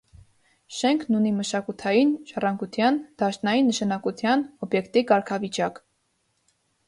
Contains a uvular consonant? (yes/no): no